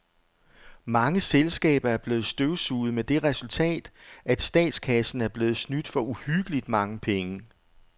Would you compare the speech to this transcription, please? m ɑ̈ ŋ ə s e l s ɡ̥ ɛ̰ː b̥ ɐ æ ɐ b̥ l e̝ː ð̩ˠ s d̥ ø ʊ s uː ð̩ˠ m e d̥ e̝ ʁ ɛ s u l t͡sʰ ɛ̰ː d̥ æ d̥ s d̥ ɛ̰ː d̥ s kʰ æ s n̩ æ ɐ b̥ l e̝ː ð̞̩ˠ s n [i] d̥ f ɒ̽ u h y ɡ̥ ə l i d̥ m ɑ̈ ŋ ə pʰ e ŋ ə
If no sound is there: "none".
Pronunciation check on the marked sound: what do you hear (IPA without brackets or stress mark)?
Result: y